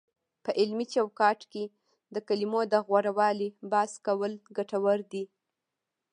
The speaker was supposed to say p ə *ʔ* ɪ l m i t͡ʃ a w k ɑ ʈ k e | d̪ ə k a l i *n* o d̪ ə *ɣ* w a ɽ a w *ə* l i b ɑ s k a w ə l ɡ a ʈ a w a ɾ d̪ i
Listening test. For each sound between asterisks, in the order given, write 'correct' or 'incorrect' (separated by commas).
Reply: correct, incorrect, correct, incorrect